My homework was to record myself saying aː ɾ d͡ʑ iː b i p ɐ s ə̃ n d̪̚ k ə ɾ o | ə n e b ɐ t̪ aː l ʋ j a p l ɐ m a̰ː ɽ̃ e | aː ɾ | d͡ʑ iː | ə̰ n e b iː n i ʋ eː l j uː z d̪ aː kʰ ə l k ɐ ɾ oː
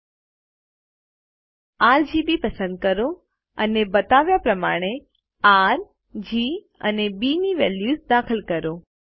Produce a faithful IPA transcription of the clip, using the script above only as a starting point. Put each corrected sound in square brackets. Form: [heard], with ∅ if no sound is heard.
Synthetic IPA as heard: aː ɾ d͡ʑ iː b i p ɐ s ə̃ n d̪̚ k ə ɾ o | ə n e b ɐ t̪ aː [∅] ʋ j a p [ɾ] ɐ m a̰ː ɽ̃ e | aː ɾ | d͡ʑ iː | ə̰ n e b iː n i ʋ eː l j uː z d̪ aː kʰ ə l k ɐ ɾ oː